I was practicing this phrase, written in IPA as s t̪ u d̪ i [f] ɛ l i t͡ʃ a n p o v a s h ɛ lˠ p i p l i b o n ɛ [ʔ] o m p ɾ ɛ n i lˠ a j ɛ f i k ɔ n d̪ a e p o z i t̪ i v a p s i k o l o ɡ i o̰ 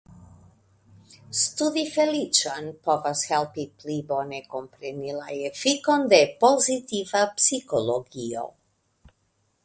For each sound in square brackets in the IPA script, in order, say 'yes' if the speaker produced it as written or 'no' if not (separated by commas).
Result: yes, no